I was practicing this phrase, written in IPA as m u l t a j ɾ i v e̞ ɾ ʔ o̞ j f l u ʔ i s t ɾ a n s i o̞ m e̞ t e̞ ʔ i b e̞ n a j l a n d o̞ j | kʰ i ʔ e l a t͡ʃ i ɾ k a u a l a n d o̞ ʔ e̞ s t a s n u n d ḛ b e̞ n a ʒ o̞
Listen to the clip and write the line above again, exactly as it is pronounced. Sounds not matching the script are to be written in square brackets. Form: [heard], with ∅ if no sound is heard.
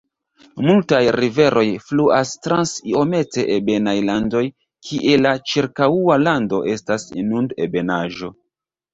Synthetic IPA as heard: m u l t a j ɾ i v e̞ ɾ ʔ o̞ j f l u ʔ [a] s t ɾ a n s i o̞ m e̞ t e̞ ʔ [e] b e̞ n a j l a n d o̞ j | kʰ i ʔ e l a t͡ʃ i ɾ k a u a l a n d o̞ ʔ e̞ s t a s n u n d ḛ b e̞ n a ʒ o̞